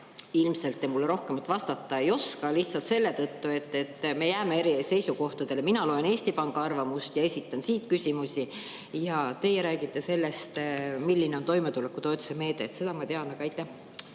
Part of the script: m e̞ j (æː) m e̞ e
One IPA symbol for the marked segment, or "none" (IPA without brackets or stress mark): æː